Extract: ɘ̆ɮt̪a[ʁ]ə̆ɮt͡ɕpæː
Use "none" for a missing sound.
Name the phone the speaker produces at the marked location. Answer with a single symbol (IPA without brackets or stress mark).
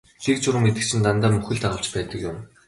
ʁ